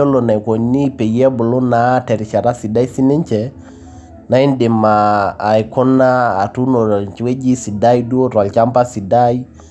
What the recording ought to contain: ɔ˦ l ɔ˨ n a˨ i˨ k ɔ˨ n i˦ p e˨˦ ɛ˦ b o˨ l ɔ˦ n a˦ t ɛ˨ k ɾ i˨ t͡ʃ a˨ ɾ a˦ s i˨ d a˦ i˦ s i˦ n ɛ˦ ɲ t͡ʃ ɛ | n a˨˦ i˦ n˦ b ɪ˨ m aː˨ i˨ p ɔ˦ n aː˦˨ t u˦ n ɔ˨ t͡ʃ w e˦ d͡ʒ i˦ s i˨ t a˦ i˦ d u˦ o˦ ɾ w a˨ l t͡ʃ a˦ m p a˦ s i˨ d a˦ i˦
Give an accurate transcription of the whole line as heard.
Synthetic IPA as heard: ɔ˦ l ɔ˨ n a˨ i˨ k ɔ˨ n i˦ p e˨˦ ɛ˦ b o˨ l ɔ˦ n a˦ t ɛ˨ ɾ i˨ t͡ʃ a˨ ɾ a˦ s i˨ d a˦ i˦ s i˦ n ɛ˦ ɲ t͡ʃ ɛ | n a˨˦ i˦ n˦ d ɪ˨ m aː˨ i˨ k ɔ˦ n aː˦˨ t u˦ n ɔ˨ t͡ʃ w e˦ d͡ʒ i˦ s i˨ d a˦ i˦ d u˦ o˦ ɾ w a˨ l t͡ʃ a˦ m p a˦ s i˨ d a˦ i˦